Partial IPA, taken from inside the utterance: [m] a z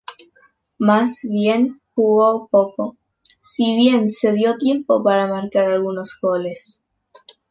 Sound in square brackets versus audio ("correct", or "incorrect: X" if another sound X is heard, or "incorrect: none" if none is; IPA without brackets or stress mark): correct